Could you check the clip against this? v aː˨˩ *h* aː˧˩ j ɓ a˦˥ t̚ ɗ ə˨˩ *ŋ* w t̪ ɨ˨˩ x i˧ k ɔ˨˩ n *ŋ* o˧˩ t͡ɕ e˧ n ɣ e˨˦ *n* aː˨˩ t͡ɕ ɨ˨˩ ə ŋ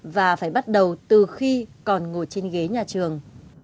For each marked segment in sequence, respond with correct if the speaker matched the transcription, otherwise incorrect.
incorrect, incorrect, correct, incorrect

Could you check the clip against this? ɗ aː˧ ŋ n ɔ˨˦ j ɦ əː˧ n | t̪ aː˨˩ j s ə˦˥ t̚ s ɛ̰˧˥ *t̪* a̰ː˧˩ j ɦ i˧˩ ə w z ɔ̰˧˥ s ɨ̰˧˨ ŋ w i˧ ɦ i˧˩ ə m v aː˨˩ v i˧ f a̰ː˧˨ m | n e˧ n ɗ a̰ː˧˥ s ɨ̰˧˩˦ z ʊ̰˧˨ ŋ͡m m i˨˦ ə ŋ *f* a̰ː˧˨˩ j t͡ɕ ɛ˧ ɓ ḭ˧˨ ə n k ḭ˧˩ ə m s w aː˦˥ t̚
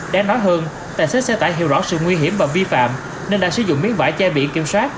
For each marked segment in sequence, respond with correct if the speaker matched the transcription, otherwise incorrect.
correct, incorrect

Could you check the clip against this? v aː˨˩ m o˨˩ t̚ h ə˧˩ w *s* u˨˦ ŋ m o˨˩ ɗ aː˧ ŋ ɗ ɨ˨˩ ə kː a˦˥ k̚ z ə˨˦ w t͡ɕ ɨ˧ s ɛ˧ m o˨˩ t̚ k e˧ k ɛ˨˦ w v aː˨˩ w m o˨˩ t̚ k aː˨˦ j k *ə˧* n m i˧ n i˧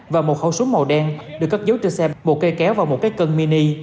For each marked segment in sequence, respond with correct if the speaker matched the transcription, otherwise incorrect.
correct, correct

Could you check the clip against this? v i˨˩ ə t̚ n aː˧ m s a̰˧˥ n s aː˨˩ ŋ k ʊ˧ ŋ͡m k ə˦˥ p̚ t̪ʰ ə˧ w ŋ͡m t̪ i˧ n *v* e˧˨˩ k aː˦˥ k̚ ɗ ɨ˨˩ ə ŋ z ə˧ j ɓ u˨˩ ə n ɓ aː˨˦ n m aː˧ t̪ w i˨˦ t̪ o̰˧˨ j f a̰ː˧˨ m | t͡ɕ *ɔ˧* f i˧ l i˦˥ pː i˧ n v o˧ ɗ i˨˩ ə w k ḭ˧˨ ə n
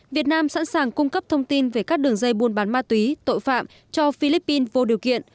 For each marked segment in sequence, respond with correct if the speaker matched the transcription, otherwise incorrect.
correct, correct

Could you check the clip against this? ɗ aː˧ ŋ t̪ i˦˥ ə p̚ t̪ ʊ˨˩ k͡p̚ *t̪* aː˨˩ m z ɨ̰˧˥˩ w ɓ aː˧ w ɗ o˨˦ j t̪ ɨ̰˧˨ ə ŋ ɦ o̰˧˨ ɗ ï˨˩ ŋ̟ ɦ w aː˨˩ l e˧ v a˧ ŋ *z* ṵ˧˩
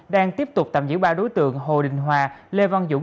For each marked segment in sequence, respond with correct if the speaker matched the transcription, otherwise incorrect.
correct, correct

